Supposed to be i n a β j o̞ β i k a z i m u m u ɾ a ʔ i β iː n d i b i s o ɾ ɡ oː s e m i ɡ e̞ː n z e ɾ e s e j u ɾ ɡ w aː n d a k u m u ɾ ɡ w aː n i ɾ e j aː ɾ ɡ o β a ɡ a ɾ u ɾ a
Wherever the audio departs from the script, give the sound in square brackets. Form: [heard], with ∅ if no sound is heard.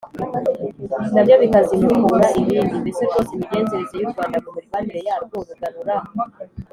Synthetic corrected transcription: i n a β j o̞ β i k a z i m u m u ɾ a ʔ i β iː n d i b i s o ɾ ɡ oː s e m i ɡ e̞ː n z e ɾ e [z] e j u ɾ ɡ w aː n d a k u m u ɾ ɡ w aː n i ɾ e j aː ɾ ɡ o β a ɡ a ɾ u ɾ a